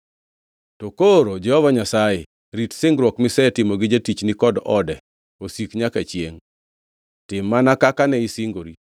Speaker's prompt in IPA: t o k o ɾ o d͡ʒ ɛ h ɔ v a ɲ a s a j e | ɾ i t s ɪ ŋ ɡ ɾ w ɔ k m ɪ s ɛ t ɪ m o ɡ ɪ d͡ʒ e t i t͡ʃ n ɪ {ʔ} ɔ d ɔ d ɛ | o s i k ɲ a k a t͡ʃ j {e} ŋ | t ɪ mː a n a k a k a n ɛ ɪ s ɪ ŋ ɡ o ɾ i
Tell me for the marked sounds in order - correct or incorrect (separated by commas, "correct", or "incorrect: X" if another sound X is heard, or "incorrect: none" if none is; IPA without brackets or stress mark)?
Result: incorrect: k, correct